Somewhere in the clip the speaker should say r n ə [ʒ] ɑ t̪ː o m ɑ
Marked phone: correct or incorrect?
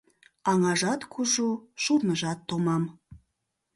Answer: correct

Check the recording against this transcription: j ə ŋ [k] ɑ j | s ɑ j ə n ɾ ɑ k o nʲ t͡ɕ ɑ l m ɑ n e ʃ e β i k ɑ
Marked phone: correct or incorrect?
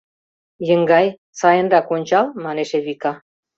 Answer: incorrect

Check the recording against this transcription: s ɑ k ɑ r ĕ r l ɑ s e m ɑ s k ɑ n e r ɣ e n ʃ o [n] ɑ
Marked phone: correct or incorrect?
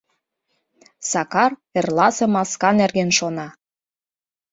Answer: correct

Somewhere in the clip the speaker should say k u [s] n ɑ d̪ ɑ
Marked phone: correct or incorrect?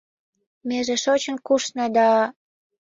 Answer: incorrect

